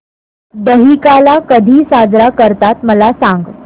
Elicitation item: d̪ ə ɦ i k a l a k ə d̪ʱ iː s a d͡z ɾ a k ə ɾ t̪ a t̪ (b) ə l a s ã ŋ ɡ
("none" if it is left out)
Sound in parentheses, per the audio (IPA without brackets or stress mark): m